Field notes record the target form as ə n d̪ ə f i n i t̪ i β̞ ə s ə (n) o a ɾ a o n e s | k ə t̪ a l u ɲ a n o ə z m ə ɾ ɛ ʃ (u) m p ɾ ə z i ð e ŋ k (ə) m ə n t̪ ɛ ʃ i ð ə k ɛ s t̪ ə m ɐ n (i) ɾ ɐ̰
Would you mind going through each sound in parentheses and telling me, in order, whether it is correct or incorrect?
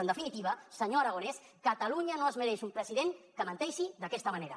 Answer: incorrect: ɲ, correct, correct, incorrect: e

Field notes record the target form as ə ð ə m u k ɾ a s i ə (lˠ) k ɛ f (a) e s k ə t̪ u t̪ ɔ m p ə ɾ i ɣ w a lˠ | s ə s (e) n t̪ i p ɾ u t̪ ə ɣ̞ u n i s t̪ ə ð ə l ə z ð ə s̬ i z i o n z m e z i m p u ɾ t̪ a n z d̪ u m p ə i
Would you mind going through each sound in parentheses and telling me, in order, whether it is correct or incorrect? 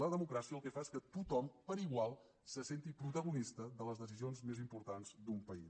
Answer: correct, correct, correct

